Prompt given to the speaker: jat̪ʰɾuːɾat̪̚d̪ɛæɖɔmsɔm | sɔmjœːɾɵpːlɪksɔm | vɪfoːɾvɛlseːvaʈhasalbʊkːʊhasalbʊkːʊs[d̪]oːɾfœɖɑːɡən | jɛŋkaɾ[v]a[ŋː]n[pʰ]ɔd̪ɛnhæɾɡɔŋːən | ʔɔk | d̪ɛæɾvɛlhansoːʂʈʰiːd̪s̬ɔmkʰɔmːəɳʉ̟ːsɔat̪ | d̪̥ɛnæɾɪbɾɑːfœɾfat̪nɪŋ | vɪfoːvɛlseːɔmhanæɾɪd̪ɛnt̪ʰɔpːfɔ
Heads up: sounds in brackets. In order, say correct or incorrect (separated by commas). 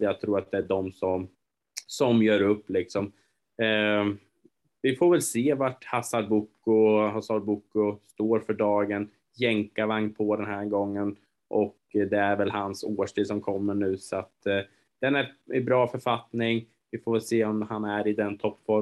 incorrect, correct, incorrect, correct